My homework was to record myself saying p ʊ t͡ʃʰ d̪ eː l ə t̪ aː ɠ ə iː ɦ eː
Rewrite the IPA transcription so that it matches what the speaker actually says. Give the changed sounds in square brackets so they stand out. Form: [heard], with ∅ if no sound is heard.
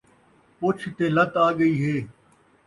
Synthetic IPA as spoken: p ʊ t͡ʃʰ [t̪] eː l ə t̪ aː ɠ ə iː ɦ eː